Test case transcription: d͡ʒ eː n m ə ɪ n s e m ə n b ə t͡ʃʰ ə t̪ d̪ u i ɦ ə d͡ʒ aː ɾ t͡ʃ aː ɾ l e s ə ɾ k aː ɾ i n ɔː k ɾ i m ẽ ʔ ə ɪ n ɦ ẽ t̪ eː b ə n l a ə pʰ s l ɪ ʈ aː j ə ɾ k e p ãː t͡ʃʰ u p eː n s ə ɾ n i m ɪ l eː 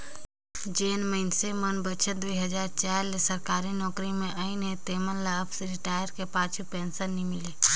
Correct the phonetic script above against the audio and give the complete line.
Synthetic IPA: d͡ʒ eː n m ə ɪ n s e m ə n b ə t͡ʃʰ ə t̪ d̪ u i ɦ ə d͡ʒ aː ɾ t͡ʃ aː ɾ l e s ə ɾ k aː ɾ i n ɔː k ɾ i m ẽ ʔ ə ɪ n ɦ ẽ t̪ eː m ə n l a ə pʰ s ɾ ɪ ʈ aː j ə ɾ k e p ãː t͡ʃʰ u p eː n s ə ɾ n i m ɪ l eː